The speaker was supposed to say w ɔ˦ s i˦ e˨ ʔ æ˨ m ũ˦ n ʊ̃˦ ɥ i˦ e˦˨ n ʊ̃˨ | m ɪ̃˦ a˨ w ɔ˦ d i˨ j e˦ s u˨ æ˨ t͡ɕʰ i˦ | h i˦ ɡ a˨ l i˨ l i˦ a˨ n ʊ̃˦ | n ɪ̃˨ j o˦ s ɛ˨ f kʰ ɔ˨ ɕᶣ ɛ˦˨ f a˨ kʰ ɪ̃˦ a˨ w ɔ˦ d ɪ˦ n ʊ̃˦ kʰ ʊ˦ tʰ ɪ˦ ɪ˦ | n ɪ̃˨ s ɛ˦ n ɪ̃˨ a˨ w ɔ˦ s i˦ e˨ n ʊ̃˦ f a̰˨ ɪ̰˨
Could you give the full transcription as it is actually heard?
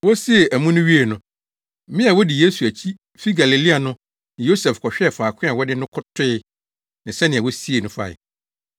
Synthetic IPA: w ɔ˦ s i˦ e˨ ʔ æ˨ m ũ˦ n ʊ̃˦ ɥ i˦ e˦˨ n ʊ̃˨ | m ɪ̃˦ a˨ w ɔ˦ d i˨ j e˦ s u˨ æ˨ t͡ɕʰ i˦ | f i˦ ɡ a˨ l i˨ l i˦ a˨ n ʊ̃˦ | n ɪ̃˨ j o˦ s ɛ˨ f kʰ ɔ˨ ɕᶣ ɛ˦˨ f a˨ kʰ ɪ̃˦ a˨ w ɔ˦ d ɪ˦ n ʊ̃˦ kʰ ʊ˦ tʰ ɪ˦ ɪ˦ | n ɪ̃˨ s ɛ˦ n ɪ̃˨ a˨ w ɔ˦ s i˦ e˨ n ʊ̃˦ f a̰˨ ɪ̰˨